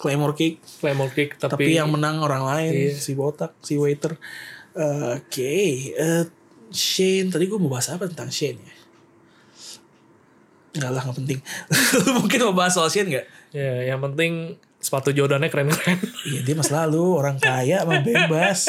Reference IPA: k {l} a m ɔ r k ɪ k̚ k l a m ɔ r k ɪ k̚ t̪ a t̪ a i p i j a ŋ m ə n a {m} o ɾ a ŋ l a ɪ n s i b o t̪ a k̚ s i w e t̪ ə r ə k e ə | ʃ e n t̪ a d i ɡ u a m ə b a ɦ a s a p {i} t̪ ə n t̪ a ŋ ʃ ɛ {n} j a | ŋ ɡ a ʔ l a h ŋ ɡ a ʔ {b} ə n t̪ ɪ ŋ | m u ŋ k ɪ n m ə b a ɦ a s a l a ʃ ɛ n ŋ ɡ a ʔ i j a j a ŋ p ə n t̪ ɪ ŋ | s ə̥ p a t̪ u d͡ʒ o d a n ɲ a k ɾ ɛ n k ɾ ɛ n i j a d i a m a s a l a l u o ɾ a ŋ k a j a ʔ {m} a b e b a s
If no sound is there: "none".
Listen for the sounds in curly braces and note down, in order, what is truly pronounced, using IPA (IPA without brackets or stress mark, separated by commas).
l, ŋ, a, n, p, m